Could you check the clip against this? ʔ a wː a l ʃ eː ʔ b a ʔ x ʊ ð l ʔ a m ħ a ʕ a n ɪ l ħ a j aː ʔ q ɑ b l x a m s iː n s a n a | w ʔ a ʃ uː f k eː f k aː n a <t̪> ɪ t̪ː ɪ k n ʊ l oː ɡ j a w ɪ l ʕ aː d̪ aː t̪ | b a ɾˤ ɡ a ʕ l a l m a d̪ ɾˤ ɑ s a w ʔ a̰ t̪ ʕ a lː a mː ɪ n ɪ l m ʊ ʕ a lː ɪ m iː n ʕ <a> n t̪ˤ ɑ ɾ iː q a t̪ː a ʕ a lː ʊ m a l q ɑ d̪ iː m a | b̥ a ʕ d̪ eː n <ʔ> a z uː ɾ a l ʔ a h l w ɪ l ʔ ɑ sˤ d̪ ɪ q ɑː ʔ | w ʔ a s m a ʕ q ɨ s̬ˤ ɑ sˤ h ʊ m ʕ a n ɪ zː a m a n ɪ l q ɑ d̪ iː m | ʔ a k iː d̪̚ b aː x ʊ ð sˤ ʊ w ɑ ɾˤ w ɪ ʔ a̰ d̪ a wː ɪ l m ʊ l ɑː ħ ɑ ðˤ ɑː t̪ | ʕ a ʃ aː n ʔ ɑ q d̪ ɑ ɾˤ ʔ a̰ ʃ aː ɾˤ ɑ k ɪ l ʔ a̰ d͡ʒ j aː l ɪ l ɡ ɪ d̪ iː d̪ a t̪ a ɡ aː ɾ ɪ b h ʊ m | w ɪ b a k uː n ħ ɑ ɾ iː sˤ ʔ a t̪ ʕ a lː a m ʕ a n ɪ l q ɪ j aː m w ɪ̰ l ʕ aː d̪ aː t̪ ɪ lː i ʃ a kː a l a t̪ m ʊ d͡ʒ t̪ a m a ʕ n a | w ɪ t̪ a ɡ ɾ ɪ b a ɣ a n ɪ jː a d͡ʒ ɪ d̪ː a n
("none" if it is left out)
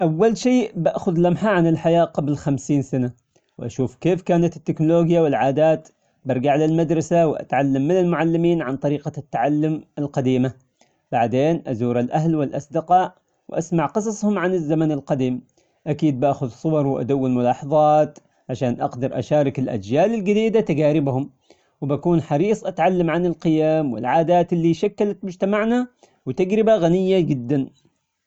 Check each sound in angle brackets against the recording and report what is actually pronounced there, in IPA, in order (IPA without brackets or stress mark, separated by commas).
t̪, a, ʔ